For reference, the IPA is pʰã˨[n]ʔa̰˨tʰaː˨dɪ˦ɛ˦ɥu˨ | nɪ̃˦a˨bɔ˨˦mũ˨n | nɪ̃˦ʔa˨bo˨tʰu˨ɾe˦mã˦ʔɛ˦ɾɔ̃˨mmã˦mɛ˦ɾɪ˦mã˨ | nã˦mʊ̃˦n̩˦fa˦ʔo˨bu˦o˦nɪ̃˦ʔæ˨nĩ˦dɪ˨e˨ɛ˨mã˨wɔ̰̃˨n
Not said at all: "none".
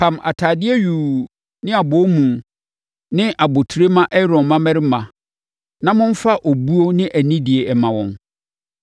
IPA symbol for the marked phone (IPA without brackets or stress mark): m